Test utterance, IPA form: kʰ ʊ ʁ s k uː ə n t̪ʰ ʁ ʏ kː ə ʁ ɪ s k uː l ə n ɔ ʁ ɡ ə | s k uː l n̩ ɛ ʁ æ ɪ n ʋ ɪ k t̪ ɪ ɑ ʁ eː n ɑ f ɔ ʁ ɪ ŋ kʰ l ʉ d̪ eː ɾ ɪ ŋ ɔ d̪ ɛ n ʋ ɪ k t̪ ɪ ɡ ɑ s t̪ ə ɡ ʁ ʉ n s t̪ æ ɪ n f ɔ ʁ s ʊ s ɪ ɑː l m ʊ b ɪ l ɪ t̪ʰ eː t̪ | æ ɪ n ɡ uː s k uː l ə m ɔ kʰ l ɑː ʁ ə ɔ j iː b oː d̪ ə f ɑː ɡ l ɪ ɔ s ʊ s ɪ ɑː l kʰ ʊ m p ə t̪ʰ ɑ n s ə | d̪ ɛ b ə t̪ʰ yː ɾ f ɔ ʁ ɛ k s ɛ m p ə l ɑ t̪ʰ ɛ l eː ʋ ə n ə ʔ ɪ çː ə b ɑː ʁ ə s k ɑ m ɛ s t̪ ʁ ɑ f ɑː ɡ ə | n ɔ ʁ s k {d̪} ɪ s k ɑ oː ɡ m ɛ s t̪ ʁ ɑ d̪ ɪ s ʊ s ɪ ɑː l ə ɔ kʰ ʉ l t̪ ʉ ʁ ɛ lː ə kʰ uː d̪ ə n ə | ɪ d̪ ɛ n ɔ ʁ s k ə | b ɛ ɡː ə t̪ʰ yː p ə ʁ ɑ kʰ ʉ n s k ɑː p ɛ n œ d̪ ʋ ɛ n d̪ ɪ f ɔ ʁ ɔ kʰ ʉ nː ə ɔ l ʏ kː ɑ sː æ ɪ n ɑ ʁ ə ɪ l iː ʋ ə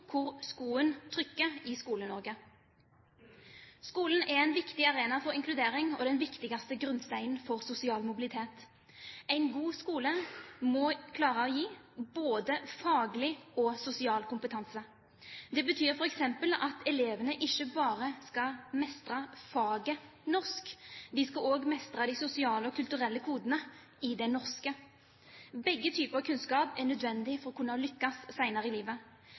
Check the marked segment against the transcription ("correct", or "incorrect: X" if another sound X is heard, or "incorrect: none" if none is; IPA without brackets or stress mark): correct